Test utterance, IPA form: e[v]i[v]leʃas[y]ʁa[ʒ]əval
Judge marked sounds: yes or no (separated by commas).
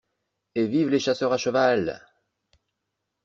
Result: yes, yes, no, no